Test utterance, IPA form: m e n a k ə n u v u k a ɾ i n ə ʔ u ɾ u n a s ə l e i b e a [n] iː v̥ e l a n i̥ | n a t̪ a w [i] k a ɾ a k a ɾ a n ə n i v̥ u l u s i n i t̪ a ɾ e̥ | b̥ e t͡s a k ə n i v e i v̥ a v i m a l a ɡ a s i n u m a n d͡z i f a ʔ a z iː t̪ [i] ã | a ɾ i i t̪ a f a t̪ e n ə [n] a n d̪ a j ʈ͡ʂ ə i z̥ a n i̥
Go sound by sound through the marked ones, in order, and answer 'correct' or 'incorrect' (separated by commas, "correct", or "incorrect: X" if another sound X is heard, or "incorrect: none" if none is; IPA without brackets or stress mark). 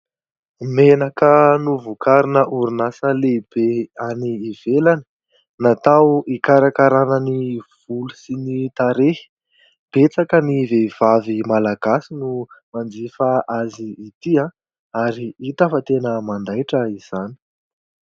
correct, correct, correct, incorrect: m